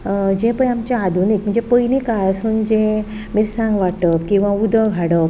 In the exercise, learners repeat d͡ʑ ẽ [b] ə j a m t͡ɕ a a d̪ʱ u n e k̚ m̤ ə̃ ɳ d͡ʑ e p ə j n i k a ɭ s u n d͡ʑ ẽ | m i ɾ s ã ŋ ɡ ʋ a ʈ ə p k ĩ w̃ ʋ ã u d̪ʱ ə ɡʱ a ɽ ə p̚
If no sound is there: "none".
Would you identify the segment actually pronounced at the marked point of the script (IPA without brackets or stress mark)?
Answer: p